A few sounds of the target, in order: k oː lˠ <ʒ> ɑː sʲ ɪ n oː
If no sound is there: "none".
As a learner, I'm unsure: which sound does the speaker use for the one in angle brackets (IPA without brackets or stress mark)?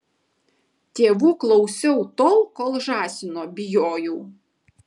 ʒ